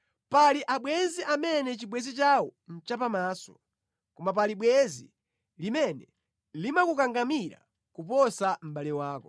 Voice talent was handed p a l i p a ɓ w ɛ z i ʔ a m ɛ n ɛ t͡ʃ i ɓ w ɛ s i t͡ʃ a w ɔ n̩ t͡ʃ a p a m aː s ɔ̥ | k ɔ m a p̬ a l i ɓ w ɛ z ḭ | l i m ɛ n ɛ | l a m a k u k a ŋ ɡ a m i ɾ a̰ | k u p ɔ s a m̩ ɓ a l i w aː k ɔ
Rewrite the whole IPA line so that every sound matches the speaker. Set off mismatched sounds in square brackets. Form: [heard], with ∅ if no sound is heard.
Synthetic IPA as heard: p a l i [ʔ] a ɓ w ɛ z i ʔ a m ɛ n ɛ t͡ʃ i ɓ w ɛ [z] i t͡ʃ a w ɔ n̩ t͡ʃ a p a m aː s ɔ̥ | k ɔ m a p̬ a l i ɓ w ɛ z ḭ | l i m ɛ n ɛ | l [i] m a k u k a ŋ ɡ a m i ɾ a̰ | k u p ɔ s a m̩ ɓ a l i w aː k ɔ